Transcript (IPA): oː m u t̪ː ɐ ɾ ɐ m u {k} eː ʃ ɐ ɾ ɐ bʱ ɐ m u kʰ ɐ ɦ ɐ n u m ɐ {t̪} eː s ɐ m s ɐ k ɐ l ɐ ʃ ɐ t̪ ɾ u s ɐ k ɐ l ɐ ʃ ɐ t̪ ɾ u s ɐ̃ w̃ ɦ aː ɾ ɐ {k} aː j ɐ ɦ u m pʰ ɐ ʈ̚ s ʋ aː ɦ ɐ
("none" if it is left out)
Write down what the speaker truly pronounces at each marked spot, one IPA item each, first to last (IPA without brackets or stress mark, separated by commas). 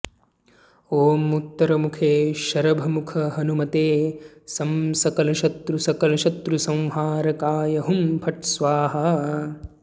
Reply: kʰ, t̪, k